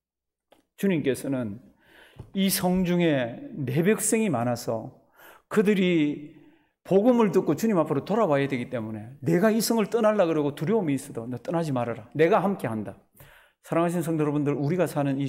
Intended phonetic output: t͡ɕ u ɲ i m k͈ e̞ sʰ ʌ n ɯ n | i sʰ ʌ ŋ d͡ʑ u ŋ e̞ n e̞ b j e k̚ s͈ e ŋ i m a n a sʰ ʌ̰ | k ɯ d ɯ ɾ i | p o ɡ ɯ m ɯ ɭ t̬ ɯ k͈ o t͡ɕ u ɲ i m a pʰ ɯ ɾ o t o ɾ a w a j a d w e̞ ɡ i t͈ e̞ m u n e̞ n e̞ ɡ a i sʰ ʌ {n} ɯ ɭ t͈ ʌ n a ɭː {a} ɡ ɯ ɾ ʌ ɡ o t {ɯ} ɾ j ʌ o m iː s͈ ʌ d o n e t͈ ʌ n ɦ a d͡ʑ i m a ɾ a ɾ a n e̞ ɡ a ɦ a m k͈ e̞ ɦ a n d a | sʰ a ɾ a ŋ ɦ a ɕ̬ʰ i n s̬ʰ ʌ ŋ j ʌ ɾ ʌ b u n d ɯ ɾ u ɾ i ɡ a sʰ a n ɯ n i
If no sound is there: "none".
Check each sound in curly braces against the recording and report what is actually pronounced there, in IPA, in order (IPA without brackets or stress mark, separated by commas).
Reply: ŋ, a, u